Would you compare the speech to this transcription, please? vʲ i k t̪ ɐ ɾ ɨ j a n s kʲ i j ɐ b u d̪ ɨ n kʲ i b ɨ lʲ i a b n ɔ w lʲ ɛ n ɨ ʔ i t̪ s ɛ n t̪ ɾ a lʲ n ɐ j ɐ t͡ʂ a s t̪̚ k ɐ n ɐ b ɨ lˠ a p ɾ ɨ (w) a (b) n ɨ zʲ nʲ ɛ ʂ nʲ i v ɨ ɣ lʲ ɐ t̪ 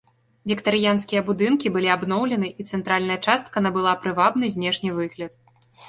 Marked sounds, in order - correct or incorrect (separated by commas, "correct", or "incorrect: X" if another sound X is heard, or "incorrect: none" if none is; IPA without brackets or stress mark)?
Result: incorrect: v, correct